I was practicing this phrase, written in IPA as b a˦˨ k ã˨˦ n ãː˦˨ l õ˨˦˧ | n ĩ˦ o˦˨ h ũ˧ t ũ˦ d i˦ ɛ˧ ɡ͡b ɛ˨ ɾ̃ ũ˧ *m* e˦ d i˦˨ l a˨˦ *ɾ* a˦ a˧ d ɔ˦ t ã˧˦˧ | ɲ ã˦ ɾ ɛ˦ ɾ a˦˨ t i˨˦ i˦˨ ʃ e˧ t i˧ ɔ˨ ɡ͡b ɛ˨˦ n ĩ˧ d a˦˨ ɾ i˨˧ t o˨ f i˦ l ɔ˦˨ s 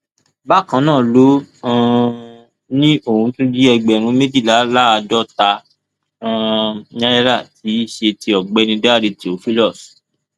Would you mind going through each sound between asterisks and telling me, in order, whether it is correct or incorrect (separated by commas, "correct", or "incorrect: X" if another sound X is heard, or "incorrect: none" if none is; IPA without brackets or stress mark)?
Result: correct, incorrect: l